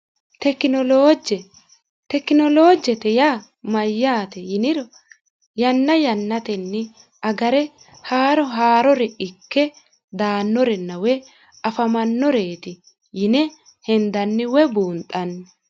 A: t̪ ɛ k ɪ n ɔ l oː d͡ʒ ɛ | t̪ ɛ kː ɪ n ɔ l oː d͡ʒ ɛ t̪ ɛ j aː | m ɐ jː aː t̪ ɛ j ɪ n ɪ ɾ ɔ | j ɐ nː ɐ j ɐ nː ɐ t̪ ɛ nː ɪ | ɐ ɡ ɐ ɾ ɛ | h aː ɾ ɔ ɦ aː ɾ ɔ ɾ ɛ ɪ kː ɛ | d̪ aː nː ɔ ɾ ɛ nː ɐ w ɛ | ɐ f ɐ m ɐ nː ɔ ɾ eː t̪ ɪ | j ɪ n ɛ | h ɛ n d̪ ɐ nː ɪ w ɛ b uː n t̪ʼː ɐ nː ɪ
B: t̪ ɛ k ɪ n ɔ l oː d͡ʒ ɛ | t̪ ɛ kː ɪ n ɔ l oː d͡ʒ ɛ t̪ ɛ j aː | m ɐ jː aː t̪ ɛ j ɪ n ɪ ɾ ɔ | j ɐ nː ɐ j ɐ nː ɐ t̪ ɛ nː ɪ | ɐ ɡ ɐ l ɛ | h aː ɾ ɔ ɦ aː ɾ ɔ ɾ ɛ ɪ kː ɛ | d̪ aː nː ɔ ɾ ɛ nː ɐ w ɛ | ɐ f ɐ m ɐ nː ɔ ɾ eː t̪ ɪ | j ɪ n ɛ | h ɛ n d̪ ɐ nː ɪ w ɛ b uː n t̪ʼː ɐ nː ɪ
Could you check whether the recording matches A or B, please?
A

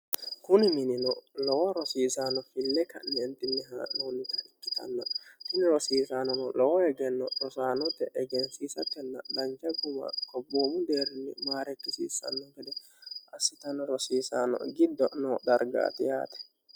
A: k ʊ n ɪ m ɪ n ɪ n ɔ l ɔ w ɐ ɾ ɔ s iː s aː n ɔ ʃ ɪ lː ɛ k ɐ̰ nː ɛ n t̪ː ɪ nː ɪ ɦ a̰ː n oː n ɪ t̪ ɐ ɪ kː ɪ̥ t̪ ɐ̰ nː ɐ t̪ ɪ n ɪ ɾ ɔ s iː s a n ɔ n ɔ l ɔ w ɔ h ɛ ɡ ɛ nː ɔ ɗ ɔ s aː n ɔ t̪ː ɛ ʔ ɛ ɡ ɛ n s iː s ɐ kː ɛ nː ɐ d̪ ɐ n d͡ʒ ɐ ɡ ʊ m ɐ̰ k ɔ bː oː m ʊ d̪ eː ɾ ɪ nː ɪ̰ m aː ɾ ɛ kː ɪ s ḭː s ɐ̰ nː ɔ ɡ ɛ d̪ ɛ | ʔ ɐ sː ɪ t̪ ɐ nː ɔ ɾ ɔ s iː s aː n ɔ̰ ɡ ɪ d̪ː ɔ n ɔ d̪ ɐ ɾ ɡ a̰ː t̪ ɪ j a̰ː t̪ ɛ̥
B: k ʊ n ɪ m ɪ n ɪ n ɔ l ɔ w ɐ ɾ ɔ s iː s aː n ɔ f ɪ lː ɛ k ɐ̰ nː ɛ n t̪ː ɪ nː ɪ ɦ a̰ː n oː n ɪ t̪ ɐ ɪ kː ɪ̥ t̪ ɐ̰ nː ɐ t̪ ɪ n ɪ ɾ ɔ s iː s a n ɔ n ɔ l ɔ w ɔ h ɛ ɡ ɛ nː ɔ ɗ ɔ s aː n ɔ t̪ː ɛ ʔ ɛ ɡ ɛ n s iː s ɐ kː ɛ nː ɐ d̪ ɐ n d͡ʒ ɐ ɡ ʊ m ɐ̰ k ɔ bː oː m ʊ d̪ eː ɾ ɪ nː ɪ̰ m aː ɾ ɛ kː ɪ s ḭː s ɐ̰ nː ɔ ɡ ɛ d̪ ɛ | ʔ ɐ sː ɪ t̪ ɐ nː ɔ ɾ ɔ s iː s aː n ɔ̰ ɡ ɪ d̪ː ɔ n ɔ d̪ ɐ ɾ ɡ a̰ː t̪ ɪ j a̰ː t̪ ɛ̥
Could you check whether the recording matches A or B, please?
B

